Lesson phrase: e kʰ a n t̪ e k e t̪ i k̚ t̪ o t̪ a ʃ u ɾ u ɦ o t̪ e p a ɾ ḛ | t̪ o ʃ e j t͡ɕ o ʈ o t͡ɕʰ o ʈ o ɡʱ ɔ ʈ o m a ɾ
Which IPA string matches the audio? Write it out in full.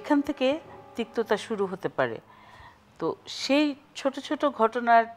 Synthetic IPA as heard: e kʰ a n t̪ʰ e k e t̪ i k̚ t̪ o t̪ a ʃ u ɾ u ɦ o t̪ e p a ɾ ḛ | t̪ o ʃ e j t͡ɕʰ o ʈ o t͡ɕʰ o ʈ o ɡʱ ɔ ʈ o n a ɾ